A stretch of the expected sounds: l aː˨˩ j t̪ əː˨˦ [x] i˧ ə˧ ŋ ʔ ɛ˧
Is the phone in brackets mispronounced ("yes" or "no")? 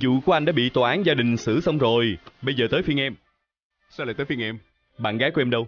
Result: yes